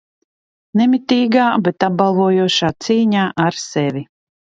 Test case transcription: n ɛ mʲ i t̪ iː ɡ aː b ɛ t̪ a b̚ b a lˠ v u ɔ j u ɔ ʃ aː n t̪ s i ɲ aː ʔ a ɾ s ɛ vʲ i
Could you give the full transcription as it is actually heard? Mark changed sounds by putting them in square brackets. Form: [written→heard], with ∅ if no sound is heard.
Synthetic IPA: n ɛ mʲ i t̪ iː ɡ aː b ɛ t̪ a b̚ b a lˠ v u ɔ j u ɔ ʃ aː [n→∅] t̪ s [i→iː] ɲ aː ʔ a ɾ s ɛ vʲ i

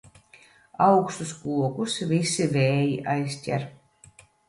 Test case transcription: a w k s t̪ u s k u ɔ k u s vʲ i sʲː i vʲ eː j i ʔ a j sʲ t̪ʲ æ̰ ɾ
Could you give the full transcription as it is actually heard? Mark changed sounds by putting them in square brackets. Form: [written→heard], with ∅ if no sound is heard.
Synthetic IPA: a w k s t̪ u s k u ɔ k u s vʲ i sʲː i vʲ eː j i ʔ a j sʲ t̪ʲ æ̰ ɾ

